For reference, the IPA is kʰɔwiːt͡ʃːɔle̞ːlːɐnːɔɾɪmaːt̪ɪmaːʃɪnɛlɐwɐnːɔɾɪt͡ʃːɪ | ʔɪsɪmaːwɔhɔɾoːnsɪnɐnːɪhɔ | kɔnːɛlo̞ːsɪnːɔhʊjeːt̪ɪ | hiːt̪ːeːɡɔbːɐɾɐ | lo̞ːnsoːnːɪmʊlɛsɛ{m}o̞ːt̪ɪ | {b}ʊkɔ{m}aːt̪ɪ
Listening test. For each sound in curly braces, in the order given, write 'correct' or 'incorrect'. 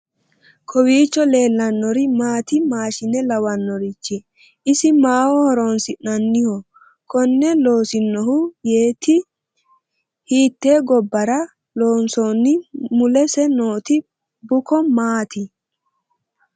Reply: incorrect, correct, correct

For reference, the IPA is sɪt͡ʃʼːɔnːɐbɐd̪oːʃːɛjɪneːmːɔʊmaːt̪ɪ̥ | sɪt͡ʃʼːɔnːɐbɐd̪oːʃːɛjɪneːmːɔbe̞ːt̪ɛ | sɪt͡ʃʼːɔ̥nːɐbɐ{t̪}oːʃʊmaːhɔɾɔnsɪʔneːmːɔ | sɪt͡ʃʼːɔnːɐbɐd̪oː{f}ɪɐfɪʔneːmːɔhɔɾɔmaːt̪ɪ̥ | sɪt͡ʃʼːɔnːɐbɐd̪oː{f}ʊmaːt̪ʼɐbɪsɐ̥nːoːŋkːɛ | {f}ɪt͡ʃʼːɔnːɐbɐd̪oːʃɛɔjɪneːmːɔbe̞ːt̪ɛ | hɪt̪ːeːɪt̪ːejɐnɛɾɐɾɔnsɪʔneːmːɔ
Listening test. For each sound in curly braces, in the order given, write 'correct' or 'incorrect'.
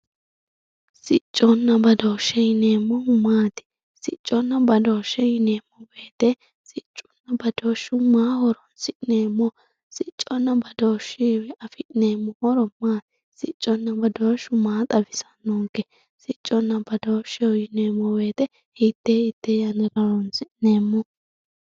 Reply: incorrect, incorrect, incorrect, incorrect

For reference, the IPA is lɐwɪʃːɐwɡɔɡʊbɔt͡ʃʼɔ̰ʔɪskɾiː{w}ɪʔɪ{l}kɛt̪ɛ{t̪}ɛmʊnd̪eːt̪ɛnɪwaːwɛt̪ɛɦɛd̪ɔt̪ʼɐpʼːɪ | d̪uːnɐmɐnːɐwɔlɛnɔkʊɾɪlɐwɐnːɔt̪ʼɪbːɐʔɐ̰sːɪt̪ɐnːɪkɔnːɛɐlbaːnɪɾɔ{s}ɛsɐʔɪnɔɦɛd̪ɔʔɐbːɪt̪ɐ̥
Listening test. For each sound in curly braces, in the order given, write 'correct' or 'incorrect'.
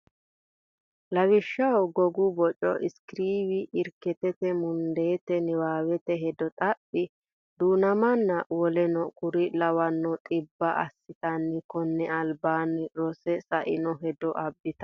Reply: correct, incorrect, correct, correct

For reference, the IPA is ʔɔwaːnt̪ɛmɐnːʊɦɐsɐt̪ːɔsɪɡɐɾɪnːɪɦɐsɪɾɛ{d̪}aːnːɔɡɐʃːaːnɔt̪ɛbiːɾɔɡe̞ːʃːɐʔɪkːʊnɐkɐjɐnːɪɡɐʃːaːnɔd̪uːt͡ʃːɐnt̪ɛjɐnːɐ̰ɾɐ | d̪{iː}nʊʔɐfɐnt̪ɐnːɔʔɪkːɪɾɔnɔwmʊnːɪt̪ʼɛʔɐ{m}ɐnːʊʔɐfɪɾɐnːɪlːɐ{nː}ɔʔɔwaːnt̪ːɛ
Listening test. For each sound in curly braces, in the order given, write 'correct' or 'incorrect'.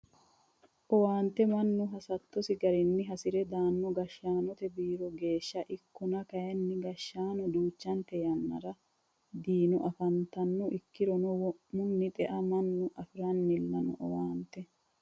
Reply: correct, correct, correct, incorrect

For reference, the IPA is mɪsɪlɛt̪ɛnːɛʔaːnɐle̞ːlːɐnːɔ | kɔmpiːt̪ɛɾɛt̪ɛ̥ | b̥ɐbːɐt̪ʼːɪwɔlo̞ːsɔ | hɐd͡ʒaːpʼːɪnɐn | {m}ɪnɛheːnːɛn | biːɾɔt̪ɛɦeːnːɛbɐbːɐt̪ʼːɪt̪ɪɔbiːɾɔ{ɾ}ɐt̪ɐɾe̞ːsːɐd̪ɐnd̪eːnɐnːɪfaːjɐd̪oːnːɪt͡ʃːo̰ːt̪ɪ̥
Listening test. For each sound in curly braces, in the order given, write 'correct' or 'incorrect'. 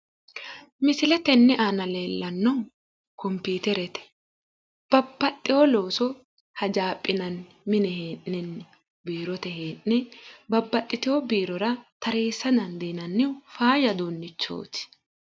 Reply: correct, correct

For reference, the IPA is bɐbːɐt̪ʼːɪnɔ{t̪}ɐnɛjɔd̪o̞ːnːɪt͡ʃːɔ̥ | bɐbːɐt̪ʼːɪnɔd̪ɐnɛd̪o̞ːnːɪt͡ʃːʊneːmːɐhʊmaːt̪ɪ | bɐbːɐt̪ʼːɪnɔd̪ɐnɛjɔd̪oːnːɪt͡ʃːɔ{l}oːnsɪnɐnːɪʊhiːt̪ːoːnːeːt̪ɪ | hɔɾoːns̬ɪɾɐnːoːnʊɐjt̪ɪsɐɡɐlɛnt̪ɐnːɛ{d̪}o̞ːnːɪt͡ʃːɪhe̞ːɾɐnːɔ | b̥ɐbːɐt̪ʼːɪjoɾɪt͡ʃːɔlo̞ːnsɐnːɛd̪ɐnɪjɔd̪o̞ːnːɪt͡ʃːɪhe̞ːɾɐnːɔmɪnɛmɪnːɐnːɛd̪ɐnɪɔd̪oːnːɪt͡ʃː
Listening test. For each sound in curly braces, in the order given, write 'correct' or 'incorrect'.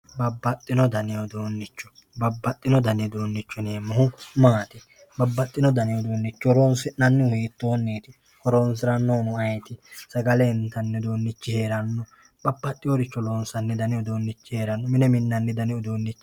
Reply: incorrect, incorrect, correct

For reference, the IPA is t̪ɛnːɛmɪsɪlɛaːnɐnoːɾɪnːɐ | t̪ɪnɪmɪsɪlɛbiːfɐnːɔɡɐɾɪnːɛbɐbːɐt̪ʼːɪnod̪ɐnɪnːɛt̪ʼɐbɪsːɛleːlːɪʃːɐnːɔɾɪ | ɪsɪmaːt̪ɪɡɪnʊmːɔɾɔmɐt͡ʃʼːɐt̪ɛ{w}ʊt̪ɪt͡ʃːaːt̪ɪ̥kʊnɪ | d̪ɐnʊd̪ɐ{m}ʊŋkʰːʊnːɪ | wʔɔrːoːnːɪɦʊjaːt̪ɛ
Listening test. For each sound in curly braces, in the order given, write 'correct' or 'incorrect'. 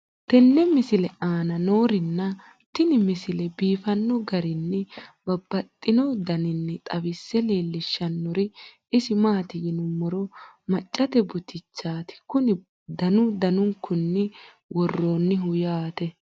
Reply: incorrect, incorrect

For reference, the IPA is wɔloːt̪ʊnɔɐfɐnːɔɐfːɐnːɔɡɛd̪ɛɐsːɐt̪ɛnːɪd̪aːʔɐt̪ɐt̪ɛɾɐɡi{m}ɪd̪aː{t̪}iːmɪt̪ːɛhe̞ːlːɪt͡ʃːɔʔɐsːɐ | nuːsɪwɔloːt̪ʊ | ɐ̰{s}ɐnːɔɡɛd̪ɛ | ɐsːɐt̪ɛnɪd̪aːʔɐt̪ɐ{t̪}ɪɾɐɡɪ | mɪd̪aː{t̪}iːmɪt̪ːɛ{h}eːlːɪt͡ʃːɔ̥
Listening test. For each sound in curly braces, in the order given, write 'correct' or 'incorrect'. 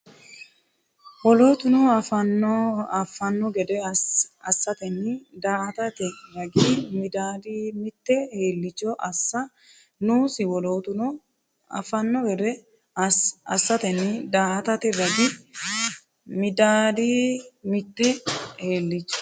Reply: correct, incorrect, incorrect, correct, incorrect, correct

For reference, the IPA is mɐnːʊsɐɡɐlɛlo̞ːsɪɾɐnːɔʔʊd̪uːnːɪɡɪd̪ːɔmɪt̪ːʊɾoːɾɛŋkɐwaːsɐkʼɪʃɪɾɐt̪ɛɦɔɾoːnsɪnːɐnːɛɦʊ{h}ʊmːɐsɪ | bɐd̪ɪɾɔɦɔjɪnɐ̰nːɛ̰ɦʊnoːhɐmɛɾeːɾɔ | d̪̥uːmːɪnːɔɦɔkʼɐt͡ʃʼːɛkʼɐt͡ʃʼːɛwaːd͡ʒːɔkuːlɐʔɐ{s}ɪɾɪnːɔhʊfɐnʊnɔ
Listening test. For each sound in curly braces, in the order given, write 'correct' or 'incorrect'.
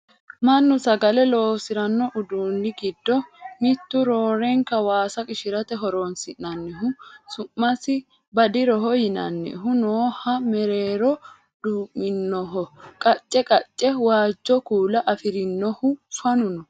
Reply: incorrect, incorrect

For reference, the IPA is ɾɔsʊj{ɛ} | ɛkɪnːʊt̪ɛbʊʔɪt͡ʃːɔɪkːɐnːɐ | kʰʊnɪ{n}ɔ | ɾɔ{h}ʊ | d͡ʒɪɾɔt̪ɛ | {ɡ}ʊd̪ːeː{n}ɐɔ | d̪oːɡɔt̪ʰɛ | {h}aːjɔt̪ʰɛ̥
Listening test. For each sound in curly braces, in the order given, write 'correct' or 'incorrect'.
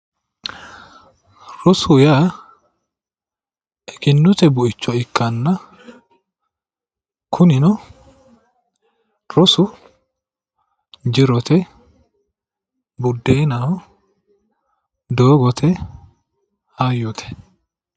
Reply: incorrect, correct, incorrect, incorrect, correct, correct

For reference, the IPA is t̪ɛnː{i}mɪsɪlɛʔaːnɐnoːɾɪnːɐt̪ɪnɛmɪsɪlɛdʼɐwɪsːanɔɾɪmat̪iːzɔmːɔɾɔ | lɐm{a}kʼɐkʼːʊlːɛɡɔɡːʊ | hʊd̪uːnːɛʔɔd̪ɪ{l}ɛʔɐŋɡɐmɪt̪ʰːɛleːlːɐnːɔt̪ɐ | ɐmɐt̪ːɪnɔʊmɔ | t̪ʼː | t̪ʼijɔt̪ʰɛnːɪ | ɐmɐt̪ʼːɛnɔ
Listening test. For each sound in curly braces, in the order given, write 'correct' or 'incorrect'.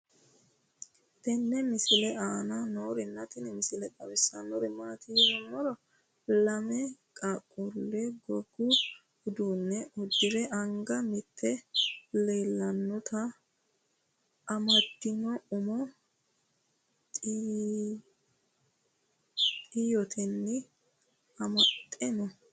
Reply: incorrect, incorrect, incorrect

